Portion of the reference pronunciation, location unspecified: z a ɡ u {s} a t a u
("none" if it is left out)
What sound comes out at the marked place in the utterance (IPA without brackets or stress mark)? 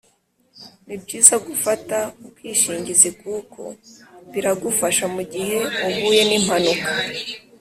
f